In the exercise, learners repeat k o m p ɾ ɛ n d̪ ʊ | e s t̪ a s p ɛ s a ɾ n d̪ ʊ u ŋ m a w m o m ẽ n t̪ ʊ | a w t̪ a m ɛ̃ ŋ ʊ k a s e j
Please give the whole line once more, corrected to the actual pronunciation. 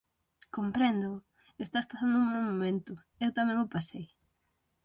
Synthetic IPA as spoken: k o m p ɾ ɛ n d̪ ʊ | e s t̪ a s p a s a n d̪ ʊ u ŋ m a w m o m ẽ n t̪ ʊ | e w t̪ a m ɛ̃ ŋ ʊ p a s e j